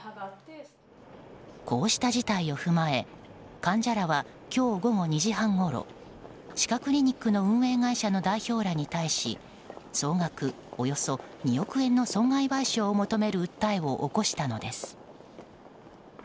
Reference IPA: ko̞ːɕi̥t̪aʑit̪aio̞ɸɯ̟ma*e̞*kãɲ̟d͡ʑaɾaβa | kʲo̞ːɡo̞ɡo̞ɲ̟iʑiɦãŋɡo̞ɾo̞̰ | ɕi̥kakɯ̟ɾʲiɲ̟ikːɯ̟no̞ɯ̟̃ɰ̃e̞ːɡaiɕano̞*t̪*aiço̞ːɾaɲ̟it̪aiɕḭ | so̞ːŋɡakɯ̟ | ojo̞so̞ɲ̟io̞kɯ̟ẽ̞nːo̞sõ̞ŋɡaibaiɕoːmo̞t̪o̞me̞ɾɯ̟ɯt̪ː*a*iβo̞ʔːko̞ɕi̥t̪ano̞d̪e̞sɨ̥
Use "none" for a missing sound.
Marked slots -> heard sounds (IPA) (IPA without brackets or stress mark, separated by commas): e̞, d̪, a